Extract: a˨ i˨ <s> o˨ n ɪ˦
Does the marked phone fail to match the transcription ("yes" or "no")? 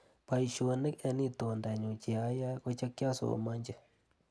yes